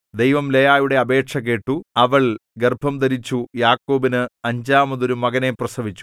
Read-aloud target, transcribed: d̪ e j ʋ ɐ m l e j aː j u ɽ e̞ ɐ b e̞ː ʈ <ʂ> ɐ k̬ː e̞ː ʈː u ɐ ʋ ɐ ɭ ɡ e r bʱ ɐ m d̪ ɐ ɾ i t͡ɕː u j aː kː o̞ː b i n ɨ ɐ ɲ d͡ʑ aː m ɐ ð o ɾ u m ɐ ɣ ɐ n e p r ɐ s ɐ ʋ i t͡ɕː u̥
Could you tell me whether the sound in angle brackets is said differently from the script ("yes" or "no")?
no